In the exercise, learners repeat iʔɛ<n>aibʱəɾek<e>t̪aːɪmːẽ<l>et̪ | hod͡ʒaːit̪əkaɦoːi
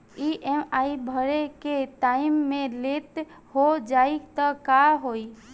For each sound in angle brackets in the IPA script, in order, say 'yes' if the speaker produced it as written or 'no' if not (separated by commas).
no, yes, yes